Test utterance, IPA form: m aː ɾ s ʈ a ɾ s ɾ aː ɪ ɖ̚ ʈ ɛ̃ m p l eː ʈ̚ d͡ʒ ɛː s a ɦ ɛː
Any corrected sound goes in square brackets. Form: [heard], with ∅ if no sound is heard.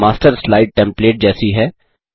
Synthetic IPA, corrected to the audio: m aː [∅] s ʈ [ə] ɾ s [l] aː ɪ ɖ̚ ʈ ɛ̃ m p l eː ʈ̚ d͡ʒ ɛː s [i] ɦ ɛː